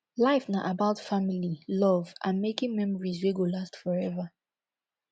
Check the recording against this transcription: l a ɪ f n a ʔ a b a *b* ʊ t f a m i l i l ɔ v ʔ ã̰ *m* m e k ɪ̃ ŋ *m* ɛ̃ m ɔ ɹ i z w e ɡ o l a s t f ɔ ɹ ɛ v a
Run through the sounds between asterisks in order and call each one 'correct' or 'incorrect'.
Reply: incorrect: none, incorrect: n, correct

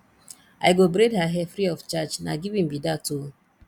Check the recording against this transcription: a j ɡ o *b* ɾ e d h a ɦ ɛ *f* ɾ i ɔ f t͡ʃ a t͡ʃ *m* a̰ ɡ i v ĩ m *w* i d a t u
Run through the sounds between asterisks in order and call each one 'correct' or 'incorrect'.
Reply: correct, correct, incorrect: n, incorrect: b

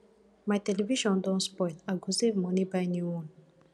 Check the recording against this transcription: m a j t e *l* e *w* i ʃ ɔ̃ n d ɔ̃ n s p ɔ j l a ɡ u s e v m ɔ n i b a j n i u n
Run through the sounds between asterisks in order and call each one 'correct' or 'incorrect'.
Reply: correct, incorrect: v

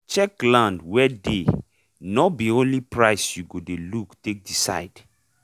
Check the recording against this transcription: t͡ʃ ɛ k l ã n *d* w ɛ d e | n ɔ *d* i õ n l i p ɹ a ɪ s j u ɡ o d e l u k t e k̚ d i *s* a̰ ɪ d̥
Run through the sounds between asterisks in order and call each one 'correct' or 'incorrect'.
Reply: correct, incorrect: b, correct

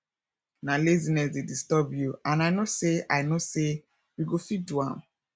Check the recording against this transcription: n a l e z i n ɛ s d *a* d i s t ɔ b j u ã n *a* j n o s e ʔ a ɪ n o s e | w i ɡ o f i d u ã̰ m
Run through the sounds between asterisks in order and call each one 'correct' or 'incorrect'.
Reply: incorrect: e, correct

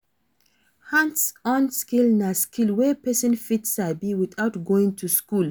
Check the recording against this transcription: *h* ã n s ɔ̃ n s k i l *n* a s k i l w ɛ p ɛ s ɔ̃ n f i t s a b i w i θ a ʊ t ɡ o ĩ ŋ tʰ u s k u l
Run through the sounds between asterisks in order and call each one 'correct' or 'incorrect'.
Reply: correct, correct

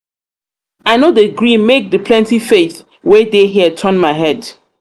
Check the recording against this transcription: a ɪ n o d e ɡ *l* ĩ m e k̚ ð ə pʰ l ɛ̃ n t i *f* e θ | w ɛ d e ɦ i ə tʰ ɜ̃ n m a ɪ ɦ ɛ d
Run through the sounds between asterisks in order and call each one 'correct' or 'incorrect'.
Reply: incorrect: ɹ, correct

